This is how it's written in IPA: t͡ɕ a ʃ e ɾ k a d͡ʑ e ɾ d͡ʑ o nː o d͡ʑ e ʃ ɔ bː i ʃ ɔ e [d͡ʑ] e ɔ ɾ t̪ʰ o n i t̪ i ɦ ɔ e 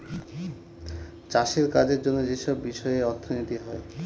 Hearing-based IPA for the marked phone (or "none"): none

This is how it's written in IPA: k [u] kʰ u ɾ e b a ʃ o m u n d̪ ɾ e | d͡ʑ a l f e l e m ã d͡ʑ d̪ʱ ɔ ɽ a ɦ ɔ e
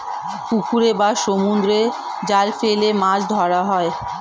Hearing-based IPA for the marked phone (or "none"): u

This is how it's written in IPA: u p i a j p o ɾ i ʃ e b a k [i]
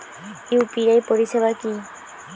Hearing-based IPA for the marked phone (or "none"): i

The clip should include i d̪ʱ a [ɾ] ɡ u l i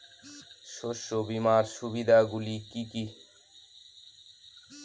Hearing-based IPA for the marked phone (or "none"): none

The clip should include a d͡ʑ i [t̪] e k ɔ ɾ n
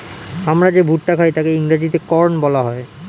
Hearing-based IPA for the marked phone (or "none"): t̪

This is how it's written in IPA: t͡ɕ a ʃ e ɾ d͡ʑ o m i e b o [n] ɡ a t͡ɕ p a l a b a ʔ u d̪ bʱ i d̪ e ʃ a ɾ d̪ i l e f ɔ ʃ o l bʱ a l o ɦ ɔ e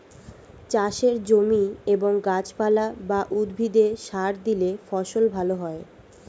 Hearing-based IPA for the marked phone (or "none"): ŋ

